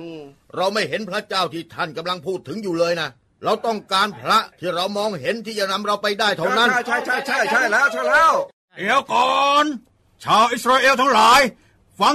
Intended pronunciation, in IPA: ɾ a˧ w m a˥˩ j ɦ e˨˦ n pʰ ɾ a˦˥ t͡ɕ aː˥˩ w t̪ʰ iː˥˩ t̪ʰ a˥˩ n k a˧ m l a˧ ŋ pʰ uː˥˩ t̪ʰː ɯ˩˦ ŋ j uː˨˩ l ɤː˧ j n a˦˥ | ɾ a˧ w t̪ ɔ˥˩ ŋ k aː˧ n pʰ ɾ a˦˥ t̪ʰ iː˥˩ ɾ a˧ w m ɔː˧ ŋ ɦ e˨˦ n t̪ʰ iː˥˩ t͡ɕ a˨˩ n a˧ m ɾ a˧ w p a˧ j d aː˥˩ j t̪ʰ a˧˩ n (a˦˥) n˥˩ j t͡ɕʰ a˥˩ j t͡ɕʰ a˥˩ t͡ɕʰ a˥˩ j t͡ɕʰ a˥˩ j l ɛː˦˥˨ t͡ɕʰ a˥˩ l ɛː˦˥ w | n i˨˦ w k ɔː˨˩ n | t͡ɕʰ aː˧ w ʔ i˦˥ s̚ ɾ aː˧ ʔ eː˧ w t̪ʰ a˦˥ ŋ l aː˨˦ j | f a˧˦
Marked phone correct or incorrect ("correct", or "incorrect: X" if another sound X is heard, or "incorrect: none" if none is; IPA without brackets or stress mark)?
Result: correct